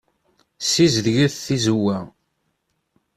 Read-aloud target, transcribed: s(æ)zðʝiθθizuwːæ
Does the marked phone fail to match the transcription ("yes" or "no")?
yes